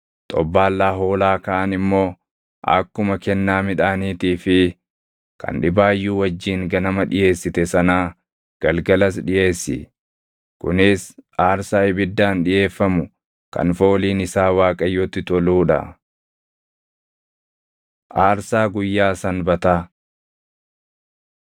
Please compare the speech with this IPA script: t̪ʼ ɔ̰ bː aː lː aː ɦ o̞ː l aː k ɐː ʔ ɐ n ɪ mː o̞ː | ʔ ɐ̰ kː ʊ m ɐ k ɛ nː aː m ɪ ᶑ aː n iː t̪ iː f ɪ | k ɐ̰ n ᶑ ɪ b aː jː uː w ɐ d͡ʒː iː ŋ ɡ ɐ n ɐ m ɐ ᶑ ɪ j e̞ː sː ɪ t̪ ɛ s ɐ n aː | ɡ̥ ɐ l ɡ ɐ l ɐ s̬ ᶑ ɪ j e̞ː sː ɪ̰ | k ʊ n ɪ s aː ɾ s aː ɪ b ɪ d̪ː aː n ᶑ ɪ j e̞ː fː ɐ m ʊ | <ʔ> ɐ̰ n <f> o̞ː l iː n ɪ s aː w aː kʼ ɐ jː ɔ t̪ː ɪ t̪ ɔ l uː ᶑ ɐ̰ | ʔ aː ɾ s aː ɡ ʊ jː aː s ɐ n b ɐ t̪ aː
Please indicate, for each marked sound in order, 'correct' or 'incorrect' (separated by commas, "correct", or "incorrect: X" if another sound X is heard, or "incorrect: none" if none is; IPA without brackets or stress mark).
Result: incorrect: k, correct